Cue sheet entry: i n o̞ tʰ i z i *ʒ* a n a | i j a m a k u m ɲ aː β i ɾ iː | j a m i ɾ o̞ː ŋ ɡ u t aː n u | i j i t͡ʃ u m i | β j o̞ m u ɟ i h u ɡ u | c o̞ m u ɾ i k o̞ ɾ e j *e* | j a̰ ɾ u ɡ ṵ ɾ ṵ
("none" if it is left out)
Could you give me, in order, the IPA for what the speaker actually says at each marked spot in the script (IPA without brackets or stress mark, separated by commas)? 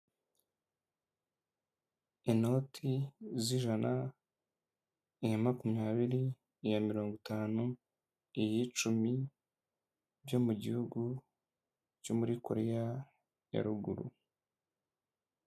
ʒ, a